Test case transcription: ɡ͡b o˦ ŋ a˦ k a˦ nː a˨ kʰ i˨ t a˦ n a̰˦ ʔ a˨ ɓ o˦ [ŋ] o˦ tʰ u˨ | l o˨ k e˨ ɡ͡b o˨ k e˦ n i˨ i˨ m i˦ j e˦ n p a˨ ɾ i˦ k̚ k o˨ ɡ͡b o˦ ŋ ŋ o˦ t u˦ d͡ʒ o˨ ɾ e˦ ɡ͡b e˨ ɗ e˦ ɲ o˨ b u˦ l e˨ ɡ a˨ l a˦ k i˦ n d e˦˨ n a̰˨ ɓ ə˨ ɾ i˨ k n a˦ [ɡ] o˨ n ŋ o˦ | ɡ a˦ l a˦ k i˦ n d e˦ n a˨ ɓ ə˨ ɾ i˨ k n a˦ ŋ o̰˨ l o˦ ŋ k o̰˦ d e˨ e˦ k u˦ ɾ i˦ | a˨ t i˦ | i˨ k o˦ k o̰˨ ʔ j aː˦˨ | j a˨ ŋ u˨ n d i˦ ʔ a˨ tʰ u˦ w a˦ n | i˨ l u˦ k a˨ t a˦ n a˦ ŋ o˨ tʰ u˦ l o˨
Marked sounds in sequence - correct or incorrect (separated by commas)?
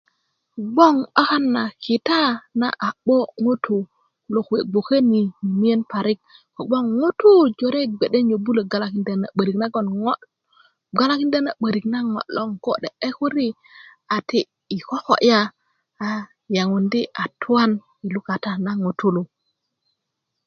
correct, correct